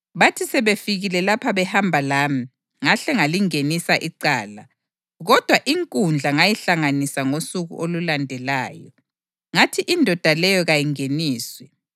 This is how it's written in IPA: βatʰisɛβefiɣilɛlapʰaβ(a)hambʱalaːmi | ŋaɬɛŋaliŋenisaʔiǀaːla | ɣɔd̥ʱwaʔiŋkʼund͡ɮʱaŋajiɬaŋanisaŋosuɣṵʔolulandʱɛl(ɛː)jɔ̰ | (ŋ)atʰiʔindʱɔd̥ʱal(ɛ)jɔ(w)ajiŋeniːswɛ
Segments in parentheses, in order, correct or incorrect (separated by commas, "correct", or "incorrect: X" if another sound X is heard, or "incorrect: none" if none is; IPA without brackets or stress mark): incorrect: ɛ, incorrect: aː, correct, correct, incorrect: ɣ